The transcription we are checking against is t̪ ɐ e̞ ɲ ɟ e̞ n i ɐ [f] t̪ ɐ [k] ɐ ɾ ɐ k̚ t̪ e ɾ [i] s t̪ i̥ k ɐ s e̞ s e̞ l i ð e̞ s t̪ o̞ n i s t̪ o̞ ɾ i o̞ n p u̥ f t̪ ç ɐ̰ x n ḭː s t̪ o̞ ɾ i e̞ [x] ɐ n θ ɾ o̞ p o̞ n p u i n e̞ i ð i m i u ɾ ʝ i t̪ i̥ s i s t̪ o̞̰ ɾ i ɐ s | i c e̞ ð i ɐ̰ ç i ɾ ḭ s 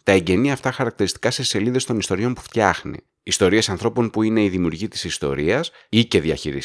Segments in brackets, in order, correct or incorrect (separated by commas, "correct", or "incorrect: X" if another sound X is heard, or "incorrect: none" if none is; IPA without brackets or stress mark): correct, incorrect: x, correct, incorrect: s